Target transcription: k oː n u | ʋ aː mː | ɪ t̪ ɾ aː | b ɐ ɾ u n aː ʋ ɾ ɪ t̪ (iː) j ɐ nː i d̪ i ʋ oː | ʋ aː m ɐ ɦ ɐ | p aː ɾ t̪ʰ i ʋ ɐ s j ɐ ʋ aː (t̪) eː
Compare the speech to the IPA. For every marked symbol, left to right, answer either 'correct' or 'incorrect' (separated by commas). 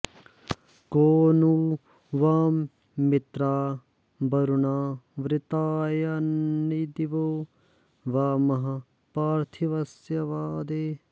incorrect, incorrect